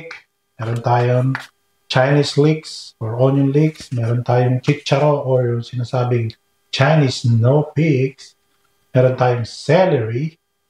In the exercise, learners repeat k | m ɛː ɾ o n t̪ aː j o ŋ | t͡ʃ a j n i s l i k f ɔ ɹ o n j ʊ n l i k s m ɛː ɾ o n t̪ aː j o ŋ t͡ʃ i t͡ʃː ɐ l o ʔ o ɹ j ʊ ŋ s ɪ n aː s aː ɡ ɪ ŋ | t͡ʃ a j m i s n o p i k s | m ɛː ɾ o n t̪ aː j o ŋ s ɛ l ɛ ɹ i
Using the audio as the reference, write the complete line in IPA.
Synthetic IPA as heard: k | m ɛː ɾ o n t̪ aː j o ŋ | t͡ʃ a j n i s l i k s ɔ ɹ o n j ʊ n l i k s m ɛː ɾ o n t̪ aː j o ŋ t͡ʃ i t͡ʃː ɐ ɾ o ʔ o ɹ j ʊ ŋ s ɪ n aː s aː b ɪ ŋ | t͡ʃ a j n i s n o p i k s | m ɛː ɾ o n t̪ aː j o ŋ s ɛ l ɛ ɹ i